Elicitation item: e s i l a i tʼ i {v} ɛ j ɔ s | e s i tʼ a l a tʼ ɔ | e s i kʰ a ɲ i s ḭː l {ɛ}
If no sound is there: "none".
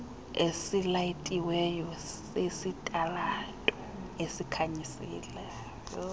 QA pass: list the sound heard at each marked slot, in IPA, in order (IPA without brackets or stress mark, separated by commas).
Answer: w, ɛ